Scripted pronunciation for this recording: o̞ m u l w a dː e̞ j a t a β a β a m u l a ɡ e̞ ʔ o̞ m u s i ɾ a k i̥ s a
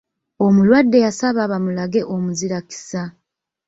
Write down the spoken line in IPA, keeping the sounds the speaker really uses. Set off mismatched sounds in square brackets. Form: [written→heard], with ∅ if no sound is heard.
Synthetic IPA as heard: o̞ m u l w a dː e̞ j a [t→s] a β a β a m u l a ɡ e̞ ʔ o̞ m u [s→z] i ɾ a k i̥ s a